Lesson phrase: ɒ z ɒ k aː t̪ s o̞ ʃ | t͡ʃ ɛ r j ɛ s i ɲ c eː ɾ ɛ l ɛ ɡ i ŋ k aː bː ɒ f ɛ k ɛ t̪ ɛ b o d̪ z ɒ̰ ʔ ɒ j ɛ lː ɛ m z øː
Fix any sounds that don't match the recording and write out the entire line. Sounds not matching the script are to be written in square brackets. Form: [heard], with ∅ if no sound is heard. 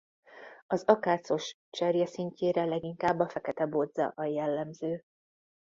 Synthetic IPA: ɒ z ɒ k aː t̪ s o̞ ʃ | t͡ʃ ɛ r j ɛ s i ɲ c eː ɾ ɛ l ɛ ɡ i ŋ k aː bː ɒ f ɛ k ɛ t̪ ɛ b o d̪ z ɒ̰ ʔ ɒ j ɛ lː ɛ m z øː